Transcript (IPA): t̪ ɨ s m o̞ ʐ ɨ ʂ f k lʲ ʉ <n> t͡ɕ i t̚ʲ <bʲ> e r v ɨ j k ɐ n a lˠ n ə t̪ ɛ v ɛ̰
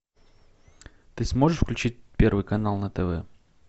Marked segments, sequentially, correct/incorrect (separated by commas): incorrect, incorrect